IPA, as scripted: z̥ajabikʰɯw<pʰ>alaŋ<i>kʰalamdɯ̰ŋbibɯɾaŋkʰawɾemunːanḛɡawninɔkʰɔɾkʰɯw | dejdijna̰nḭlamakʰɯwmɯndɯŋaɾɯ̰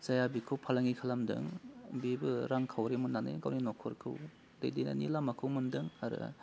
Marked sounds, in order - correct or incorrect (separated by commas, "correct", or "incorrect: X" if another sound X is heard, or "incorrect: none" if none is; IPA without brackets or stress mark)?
correct, correct